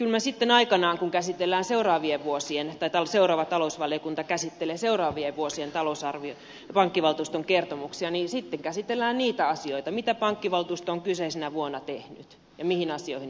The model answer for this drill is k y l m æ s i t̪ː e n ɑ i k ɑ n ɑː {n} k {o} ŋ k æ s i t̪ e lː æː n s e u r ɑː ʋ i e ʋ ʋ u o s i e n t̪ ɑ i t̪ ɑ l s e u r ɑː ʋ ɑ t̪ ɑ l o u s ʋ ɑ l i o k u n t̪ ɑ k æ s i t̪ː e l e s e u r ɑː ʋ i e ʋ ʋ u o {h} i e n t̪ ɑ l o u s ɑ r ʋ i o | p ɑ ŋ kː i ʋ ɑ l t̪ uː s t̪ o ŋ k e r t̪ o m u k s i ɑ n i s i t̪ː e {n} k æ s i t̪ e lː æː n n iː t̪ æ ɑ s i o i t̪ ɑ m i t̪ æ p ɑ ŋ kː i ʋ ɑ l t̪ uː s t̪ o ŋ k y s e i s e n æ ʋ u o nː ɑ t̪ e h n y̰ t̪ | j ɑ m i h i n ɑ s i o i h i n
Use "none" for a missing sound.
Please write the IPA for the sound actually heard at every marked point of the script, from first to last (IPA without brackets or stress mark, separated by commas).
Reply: ŋ, u, s, ŋ